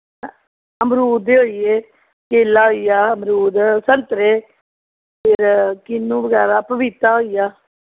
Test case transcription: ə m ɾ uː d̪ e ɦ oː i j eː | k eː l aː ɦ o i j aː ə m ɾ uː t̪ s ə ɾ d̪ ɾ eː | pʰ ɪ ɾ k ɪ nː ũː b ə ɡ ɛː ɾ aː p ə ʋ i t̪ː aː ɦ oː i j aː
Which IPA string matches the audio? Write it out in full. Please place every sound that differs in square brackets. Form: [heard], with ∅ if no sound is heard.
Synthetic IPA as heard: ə m ɾ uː d̪ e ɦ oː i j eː | k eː l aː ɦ o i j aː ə m ɾ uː [d̪] s ə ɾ [t̪] ɾ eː | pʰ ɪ ɾ k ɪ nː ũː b ə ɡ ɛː ɾ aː p ə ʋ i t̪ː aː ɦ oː i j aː